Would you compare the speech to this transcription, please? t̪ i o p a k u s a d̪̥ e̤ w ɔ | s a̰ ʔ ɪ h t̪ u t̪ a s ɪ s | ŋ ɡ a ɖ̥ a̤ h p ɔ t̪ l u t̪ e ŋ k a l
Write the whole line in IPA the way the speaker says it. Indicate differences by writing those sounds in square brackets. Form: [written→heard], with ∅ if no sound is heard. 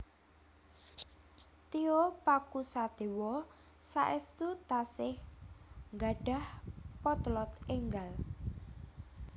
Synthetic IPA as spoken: t̪ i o p a k u s a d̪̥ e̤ w ɔ | s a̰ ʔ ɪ [h→s] t̪ u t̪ a s ɪ [s→h] | ŋ ɡ a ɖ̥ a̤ h p ɔ t̪ l [u→ɔ] t̪ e ŋ [k→ɡ] a l